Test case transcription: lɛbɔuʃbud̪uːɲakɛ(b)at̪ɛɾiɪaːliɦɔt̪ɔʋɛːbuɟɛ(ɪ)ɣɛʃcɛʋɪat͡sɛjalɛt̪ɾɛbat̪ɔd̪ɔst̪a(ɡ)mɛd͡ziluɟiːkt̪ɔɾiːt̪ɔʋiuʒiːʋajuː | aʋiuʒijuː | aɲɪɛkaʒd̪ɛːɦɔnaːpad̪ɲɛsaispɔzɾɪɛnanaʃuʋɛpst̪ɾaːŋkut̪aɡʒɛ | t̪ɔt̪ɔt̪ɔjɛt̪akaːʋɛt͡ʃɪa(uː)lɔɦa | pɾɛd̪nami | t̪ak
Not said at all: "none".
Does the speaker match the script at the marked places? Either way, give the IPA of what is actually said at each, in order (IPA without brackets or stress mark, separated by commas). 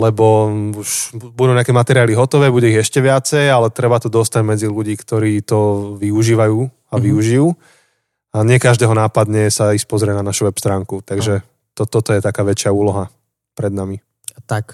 m, i, ɟ, uː